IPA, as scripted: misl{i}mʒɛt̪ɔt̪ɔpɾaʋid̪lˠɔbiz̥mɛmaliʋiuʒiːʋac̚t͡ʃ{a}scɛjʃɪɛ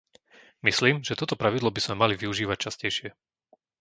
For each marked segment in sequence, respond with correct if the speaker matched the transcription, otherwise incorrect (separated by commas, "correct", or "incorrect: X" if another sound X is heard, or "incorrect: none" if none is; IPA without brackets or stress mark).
incorrect: iː, correct